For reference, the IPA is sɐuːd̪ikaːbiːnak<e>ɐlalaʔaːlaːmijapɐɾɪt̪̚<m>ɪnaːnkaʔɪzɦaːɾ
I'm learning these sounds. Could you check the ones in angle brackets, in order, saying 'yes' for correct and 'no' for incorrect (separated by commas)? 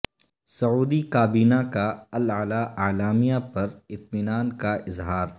no, yes